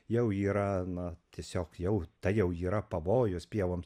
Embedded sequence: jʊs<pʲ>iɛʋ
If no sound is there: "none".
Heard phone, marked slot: pʲ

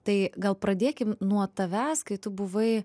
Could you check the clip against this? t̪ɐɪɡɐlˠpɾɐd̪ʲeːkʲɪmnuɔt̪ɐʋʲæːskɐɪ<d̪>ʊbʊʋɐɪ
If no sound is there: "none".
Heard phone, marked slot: t̪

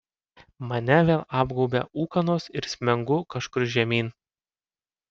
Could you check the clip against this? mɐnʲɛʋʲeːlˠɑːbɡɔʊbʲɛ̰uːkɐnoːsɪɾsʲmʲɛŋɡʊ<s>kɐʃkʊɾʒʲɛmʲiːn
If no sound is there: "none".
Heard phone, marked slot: none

